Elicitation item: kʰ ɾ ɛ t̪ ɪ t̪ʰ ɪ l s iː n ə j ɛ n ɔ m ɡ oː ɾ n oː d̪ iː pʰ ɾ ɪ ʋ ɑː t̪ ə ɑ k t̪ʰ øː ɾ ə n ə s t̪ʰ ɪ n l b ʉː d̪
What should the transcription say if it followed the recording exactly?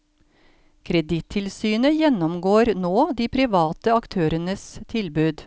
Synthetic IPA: kʰ ɾ ɛ d̪ ɪ t̪ʰ ɪ l s yː n ə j ɛ n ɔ m ɡ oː ɾ n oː d̪ iː pʰ ɾ ɪ ʋ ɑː t̪ ə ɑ k t̪ʰ øː ɾ ə n ə s t̪ʰ ɪ l b ʉː d̪